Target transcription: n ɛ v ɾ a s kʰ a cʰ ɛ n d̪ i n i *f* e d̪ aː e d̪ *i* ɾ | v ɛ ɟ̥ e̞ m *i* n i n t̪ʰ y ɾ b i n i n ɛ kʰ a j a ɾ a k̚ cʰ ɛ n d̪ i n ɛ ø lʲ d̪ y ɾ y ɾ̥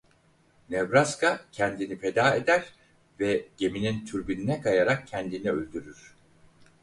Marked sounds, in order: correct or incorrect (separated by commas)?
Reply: correct, incorrect, correct